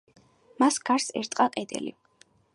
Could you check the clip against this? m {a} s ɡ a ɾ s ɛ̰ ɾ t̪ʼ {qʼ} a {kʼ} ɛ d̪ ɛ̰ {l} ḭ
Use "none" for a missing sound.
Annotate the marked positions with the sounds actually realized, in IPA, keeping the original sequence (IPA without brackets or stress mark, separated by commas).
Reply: a, qʼ, qʼ, l